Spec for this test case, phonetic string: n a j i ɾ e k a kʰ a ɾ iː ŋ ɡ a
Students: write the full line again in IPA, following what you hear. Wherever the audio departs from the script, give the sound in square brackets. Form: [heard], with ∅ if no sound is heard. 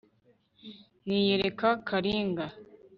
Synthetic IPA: n [i] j [e] ɾ e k a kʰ a ɾ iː ŋ ɡ a